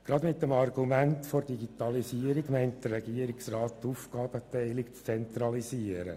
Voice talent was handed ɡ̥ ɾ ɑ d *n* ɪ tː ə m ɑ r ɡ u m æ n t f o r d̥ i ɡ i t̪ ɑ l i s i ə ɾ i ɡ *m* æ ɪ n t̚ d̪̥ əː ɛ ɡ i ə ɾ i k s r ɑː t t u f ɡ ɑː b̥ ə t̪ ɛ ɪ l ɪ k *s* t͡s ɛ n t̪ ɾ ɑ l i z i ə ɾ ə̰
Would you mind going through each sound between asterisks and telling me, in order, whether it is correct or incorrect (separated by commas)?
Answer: incorrect, correct, incorrect